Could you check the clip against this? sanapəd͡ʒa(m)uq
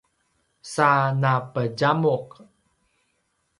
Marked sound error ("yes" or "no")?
no